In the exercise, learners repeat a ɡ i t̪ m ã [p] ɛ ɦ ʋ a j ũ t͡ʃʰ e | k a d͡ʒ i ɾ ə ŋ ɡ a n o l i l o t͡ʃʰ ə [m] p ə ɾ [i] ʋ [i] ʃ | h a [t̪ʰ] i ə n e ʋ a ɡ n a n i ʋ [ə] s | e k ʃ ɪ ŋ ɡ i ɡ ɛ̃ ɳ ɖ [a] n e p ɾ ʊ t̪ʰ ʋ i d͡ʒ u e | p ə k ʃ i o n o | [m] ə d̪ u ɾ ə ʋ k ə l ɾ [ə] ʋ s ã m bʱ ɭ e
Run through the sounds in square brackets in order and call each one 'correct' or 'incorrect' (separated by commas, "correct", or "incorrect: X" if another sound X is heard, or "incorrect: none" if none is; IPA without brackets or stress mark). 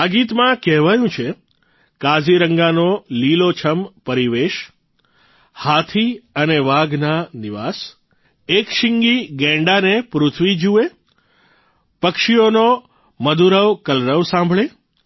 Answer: incorrect: k, correct, correct, incorrect: e, correct, incorrect: a, correct, correct, correct